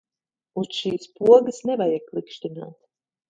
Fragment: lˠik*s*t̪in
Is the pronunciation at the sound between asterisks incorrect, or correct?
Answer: incorrect